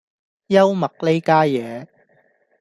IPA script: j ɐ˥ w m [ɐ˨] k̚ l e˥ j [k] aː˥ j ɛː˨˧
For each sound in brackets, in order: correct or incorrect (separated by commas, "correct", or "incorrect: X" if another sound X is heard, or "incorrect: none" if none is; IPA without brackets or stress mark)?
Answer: correct, correct